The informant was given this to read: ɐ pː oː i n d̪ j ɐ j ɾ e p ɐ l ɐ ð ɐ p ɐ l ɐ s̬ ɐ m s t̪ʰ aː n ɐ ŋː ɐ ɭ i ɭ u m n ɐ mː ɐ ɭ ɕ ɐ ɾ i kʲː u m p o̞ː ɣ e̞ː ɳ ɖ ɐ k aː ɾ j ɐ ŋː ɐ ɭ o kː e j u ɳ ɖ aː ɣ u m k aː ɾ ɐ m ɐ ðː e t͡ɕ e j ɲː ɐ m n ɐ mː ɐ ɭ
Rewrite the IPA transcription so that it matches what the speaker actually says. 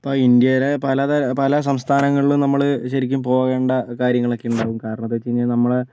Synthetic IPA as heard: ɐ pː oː i n d̪ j ɐ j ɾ e p ɐ l ɐ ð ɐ p ɐ l ɐ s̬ ɐ m s t̪ʰ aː n ɐ ŋː ɐ ɭ i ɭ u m n ɐ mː ɐ ɭ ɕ ɐ ɾ i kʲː u m p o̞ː ɣ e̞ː ɳ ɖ ɐ k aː ɾ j ɐ ŋː ɐ ɭ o kː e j u ɳ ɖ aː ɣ u m k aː ɾ ɐ ɳ ɐ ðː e t͡ɕ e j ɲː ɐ n ɐ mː ɐ ɭ

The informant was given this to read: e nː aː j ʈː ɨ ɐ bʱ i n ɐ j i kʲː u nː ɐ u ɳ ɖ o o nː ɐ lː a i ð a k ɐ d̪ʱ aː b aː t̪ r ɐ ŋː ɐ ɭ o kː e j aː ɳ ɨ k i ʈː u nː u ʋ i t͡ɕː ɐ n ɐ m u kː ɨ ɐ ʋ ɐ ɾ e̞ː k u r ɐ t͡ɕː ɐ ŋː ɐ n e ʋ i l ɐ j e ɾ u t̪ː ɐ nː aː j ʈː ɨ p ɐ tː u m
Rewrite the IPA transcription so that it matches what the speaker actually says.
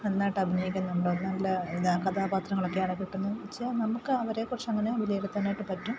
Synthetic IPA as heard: e nː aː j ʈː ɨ ɐ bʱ i n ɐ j i kʲː u nː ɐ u ɳ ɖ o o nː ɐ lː ɐ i ð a k ɐ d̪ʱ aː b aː t̪ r ɐ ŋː ɐ ɭ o kː e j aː ɳ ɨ k i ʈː u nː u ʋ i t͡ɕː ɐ n ɐ m u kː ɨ ɐ ʋ ɐ ɾ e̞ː k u r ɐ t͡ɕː ɐ ŋː ɐ n e ʋ i l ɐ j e ɽ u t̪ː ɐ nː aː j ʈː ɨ p ɐ tː u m

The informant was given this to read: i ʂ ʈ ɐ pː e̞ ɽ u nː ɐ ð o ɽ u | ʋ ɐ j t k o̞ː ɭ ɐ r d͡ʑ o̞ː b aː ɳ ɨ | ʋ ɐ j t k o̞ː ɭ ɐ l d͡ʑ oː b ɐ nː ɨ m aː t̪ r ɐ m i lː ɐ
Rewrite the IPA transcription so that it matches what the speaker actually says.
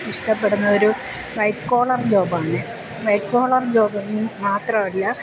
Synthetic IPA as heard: i ʂ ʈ ɐ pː e̞ ɽ u nː ɐ ð o ɾ u | ʋ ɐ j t k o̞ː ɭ ɐ r d͡ʑ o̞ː b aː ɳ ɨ | ʋ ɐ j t k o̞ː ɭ ɐ r d͡ʑ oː b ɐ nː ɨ m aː t̪ r ɐ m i lː ɐ

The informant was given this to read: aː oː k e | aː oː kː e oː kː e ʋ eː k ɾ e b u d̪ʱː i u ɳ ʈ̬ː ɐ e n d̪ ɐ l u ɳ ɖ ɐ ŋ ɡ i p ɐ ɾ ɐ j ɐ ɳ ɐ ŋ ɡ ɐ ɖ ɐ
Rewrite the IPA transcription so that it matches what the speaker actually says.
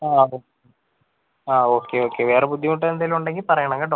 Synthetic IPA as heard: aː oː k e | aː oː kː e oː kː e ʋ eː ɾ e b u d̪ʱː i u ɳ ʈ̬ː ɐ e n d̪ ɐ l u ɳ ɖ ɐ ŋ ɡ i p ɐ ɾ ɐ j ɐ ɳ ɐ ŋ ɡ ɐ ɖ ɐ

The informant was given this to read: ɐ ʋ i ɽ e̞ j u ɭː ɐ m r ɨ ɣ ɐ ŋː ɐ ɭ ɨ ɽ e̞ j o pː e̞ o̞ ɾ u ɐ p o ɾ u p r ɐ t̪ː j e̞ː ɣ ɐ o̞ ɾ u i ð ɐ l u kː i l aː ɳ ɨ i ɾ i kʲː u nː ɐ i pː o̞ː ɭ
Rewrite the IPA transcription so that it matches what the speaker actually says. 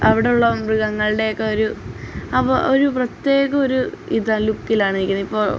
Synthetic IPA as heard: ɐ ʋ i ɽ e̞ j u ɭː ɐ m r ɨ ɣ ɐ ŋː ɐ ɭ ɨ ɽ e̞ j o kː e̞ o̞ ɾ u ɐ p o ɾ u p r ɐ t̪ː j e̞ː ɣ ɐ o̞ ɾ u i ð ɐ l u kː i l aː ɳ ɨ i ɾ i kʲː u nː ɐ i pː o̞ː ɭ

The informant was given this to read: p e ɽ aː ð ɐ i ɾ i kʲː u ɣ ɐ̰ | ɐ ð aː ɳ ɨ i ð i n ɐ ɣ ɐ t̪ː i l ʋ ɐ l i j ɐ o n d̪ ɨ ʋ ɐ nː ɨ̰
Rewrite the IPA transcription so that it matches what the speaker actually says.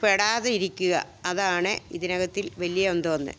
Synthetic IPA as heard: p e ɽ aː ð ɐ i ɾ i kʲː u ɣ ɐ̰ | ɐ ð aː ɳ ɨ i ð i n ɐ ɣ ɐ t̪ː i l ʋ ɐ l i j ɐ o n d̪ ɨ ʋ ɐ nː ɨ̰

